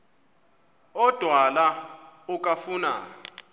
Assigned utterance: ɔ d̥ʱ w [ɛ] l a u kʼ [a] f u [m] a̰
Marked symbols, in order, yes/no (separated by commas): no, yes, no